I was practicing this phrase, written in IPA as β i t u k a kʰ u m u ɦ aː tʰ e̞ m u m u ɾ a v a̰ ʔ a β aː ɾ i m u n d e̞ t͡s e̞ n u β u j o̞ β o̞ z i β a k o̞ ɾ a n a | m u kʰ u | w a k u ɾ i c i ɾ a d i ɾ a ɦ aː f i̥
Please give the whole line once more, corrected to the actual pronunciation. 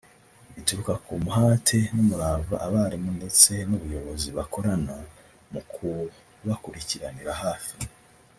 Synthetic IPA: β i t u k a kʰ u m u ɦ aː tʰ e̞ n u m u ɾ a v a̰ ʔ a β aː ɾ i m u n d e̞ t͡s e̞ n u β u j o̞ β o̞ z i β a k o̞ ɾ a n a | m u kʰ u | β a k u ɾ i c i ɾ a n i ɾ a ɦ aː f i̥